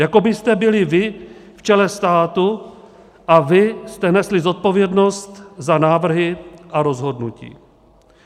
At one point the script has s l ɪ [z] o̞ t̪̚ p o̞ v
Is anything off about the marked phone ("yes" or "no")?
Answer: no